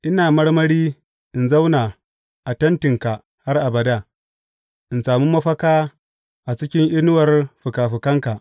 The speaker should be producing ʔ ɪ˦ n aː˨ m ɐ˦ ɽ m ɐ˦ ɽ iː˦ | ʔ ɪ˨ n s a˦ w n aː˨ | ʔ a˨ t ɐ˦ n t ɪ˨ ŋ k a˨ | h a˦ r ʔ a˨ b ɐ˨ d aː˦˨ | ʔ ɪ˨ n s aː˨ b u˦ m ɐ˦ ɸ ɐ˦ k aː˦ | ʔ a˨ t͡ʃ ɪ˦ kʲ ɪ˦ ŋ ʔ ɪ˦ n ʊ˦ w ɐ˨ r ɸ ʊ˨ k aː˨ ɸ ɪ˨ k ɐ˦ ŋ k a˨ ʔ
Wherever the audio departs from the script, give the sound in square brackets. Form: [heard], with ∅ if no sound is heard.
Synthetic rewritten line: ʔ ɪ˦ n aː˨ m ɐ˦ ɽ m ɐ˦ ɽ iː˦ | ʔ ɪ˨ n [z] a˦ w n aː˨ | ʔ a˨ t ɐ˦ n t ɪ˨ ŋ k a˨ | h a˦ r ʔ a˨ b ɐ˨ d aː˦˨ | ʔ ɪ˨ n s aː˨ [m] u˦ m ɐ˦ ɸ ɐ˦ k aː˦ | ʔ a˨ t͡ʃ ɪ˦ kʲ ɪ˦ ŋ ʔ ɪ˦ n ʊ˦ w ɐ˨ r ɸ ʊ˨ k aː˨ ɸ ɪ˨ k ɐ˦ ŋ k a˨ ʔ